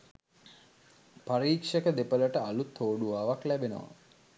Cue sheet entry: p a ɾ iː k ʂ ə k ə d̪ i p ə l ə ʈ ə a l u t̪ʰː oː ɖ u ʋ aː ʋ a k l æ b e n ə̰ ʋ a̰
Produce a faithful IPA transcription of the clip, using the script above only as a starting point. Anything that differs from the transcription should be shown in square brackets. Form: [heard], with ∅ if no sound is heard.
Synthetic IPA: p a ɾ iː k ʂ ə k ə d̪ [e] p ə l ə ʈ ə a l u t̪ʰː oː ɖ u ʋ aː ʋ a k l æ b e n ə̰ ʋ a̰